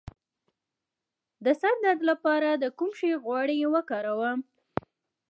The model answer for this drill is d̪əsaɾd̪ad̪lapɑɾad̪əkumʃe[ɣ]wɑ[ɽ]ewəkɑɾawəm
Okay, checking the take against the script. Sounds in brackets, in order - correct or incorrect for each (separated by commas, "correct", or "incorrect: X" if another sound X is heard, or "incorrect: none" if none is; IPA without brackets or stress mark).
correct, correct